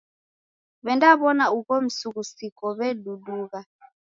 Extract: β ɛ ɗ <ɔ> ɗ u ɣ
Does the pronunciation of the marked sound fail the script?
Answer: yes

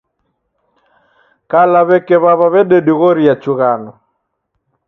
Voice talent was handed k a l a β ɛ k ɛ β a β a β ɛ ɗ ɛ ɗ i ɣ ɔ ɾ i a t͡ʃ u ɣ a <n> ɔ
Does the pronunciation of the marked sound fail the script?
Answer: no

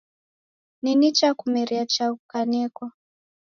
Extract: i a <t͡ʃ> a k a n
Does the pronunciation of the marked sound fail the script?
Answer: no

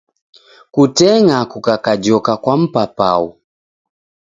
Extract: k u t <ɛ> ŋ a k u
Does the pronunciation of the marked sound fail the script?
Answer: no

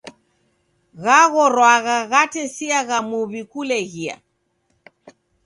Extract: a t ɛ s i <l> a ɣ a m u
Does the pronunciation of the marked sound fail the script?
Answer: yes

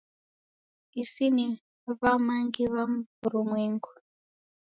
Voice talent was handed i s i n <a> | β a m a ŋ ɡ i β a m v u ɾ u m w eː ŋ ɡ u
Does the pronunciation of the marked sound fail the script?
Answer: yes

